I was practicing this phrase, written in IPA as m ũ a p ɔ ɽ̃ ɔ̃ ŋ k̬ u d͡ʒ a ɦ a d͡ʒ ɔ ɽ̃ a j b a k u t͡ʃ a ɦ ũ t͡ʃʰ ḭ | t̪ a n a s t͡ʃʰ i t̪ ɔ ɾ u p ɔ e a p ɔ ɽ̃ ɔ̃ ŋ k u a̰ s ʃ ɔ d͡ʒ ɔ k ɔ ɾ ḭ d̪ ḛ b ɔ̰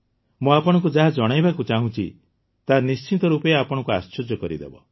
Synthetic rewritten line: m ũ a p ɔ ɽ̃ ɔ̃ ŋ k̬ u d͡ʒ a ɦ a d͡ʒ ɔ ɽ̃ a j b a k u t͡ʃ a ɦ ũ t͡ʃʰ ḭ | t̪ a n i s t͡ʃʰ i t̪ ɔ ɾ u p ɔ e a p ɔ ɽ̃ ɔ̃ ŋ k u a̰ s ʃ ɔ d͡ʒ ɔ k ɔ ɾ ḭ d̪ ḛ b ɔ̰